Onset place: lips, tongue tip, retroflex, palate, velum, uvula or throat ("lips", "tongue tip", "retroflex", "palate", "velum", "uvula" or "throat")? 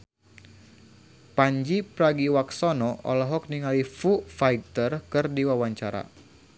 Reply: lips